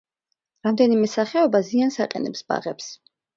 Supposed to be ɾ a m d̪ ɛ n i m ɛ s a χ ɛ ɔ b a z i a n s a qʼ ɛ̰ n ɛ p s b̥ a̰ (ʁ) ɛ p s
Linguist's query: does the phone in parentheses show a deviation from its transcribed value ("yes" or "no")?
no